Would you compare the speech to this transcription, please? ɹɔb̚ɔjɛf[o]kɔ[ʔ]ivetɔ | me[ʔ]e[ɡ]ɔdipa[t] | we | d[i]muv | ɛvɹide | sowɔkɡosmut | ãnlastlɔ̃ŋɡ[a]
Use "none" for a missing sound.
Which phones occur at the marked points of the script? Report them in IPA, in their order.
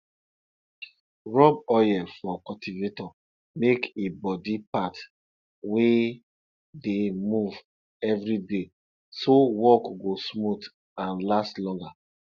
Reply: ɔ, t, k, b, t, e, a

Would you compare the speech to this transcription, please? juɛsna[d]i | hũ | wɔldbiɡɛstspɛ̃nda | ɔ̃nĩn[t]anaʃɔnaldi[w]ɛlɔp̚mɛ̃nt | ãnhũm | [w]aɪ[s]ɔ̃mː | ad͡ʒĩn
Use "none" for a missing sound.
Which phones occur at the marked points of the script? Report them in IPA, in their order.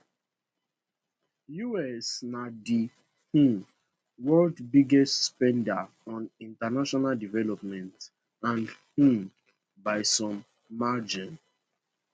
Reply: d, t, v, b, s

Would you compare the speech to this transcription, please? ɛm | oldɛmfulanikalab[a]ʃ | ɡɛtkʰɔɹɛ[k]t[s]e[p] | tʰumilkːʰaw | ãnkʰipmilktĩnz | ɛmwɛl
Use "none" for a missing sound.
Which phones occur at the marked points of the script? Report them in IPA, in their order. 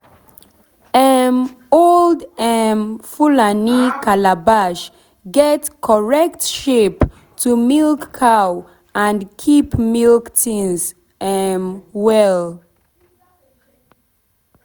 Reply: a, k, ʃ, p

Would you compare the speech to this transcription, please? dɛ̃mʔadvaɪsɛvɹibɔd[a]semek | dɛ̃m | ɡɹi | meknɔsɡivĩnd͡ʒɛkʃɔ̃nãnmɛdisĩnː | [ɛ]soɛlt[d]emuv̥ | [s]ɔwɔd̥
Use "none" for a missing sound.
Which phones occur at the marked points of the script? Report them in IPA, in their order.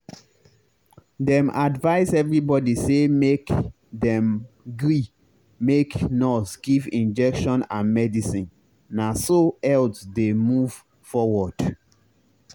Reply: i, a, d, f

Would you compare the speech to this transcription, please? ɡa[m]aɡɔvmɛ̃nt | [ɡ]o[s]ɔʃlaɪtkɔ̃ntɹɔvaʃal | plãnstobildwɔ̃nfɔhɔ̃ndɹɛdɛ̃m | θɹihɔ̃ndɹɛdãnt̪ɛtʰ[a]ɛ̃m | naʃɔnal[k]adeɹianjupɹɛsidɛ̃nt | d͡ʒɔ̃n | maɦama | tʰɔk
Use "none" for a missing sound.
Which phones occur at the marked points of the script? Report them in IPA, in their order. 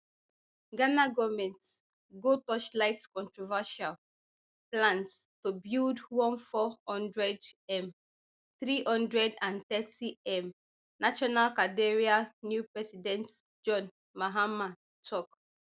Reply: n, ɡ, t, i, k

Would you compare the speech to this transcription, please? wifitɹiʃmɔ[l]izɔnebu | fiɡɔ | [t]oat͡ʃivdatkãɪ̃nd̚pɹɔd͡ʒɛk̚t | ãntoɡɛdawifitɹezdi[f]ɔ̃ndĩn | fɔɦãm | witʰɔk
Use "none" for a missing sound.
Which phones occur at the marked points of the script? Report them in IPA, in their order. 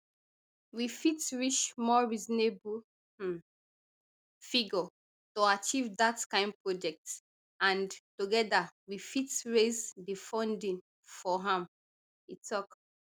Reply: ɹ, t, f

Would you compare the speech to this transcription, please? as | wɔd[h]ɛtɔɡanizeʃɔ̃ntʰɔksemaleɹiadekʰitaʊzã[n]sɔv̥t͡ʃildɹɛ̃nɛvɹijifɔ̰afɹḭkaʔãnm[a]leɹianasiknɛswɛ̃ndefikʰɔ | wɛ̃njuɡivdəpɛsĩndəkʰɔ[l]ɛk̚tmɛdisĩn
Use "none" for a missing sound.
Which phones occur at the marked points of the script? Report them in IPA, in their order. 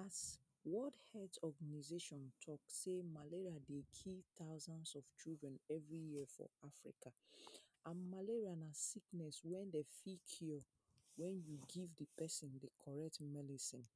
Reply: h, n, a, ɹ

